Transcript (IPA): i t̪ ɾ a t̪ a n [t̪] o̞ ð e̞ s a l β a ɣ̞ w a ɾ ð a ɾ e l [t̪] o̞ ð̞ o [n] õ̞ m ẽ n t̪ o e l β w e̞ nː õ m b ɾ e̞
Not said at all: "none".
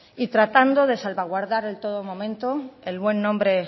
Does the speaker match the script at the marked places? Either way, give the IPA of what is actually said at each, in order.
d̪, t̪, m

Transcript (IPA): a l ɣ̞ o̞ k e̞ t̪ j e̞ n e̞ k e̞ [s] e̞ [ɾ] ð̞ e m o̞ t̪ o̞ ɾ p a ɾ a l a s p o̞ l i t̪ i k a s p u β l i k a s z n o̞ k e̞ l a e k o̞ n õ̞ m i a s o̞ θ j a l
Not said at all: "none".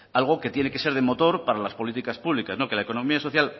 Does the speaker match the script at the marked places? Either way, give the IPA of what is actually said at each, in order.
s, ɾ

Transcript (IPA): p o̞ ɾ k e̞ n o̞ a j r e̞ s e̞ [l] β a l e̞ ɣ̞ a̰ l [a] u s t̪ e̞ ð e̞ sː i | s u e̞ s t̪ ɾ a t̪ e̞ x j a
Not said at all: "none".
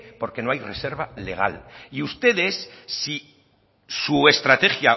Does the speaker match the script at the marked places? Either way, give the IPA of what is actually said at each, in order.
ɾ, i

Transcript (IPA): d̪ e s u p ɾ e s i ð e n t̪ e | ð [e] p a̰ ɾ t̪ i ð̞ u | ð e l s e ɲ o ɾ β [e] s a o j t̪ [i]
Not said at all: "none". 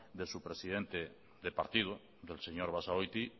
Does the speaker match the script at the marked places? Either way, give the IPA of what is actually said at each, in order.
e, a, i

